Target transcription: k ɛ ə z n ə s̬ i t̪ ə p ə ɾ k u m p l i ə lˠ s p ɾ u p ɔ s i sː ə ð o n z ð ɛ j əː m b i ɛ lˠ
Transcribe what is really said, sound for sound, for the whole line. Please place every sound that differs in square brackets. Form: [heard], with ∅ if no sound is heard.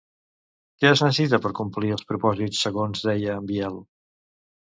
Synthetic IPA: k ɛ ə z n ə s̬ i t̪ ə p ə ɾ k u m p l i ə lˠ s p ɾ u p ɔ [z] i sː ə [ɣ] o n z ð ɛ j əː m b i ɛ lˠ